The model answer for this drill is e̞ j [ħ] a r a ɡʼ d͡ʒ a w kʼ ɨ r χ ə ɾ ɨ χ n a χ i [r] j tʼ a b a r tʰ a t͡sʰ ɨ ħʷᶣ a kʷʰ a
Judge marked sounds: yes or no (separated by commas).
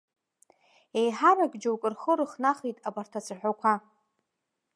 yes, no